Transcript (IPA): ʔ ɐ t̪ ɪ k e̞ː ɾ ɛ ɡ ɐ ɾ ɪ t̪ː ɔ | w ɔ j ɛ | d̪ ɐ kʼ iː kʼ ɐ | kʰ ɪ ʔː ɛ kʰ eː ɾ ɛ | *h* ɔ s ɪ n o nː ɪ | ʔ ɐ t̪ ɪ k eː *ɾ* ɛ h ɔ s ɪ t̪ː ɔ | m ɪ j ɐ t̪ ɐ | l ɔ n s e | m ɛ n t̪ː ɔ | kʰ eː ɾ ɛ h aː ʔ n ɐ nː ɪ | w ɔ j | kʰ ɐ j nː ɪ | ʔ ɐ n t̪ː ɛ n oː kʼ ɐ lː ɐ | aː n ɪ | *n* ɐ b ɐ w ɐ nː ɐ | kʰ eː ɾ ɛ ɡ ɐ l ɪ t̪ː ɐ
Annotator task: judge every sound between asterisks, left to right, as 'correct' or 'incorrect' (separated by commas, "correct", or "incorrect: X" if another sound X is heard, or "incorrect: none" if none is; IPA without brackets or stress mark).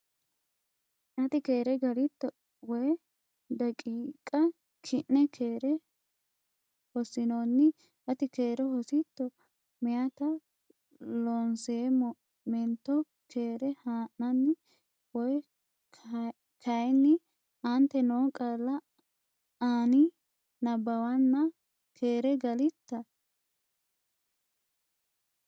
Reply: correct, correct, correct